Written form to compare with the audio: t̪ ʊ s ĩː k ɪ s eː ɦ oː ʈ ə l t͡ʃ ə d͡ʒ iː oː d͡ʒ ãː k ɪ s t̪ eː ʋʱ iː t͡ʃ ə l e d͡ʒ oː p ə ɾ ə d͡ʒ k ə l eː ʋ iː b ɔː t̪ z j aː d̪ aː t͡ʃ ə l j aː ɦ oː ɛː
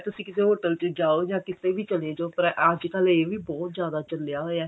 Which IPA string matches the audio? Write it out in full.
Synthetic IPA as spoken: t̪ ʊ s ĩː k ɪ s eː ɦ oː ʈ ə l t͡ʃ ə d͡ʒ aː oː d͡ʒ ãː k ɪ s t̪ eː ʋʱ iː t͡ʃ ə l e d͡ʒ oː p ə ɾ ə d͡ʒ k ə l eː ʋ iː b ɔː t̪ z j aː d̪ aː t͡ʃ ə l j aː ɦ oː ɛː